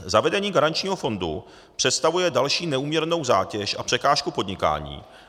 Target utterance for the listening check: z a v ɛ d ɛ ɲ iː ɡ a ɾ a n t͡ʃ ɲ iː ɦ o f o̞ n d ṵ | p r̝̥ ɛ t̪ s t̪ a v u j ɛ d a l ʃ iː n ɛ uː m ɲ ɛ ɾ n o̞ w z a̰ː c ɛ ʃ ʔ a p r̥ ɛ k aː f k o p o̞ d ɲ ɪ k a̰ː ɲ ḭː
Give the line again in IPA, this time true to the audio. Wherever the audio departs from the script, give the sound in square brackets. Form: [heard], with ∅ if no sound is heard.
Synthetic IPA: z a v ɛ d ɛ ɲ iː ɡ a ɾ a n t͡ʃ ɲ iː ɦ o f o̞ n d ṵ | p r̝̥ ɛ t̪ s t̪ a v u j ɛ d a l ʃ iː n ɛ uː m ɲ ɛ ɾ n o̞ w z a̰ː c ɛ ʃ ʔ a p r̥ ɛ k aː [ʃ] k [u] p o̞ d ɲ ɪ k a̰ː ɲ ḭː